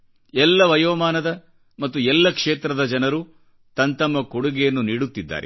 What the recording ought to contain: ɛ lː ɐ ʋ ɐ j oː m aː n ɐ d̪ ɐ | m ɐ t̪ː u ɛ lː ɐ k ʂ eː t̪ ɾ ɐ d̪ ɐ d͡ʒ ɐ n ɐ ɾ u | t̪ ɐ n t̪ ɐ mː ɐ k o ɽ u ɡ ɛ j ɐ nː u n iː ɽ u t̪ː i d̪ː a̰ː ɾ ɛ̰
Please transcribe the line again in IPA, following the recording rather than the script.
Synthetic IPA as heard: ɛ lː ɐ ʋ ɐ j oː m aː n ɐ d̪ ɐ | m ɐ t̪ː u ɛ lː ɐ k ʂ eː t̪ ɾ ɐ d̪ ɐ d͡ʒ ɐ n ɐ ɾ u | t̪ ɐ n t̪ ɐ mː ɐ k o ɽ u ɡ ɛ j ɐ nː u n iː ɽ u t̪ː i d̪ː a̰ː ɾ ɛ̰

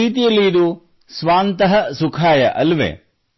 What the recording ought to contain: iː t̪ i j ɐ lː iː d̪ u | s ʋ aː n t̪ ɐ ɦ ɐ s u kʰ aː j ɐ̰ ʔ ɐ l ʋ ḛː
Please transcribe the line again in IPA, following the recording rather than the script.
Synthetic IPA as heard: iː t̪ i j ɐ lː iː d̪ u | s ʋ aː n t̪ ɐ ɦ ɐ s u kʰ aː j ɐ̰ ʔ ɐ l ʋ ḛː

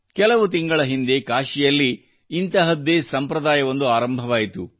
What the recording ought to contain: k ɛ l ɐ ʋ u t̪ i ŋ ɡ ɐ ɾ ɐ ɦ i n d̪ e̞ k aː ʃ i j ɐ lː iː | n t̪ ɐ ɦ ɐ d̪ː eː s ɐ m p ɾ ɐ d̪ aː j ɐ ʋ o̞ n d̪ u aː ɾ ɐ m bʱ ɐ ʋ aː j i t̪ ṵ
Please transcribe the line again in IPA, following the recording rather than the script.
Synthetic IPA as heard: k ɛ l ɐ ʋ u t̪ i ŋ ɡ ɐ ɭ ɐ ɦ i n d̪ e̞ k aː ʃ i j ɐ lː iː | n t̪ ɐ ɦ ɐ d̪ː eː s ɐ m p ɾ ɐ d̪ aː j ɐ ʋ o̞ n d̪ u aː ɾ ɐ m bʱ ɐ ʋ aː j i t̪ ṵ

